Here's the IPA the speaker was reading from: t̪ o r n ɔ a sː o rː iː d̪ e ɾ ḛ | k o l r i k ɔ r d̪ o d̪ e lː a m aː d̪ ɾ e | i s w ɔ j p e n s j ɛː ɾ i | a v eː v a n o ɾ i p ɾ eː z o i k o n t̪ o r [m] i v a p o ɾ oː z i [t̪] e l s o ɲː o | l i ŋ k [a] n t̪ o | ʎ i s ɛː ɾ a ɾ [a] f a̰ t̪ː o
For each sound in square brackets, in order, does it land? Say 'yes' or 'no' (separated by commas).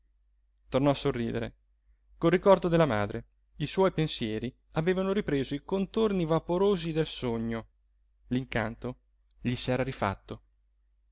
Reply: no, no, yes, no